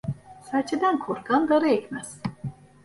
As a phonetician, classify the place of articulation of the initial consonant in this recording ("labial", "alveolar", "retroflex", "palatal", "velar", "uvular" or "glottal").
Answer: alveolar